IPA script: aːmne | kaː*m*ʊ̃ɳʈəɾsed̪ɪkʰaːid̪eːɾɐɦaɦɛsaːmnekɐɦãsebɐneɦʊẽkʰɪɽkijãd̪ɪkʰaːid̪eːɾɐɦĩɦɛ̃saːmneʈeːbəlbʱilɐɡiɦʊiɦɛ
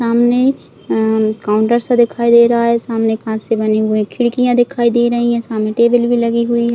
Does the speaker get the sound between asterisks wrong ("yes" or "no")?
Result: yes